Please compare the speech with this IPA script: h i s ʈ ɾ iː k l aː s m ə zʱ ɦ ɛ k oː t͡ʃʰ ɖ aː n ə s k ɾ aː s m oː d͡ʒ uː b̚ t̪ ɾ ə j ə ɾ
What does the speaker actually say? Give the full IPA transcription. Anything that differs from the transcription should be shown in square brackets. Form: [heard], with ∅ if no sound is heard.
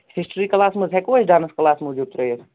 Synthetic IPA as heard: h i s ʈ ɾ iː k l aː s m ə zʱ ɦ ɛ k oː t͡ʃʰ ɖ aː n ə s k [l] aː s m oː d͡ʒ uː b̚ t̪ ɾ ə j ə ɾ